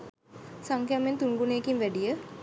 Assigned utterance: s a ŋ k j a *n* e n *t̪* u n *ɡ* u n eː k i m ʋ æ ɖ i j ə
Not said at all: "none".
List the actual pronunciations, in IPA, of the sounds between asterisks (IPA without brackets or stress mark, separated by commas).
m, t̪, ɡ